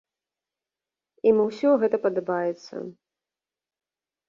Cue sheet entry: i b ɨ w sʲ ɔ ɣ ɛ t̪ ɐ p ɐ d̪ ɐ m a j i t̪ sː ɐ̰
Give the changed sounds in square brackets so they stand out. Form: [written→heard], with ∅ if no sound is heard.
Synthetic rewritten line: i [b→m] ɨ w sʲ ɔ ɣ ɛ t̪ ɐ p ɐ d̪ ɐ [m→b] a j [i→ɛ] t̪ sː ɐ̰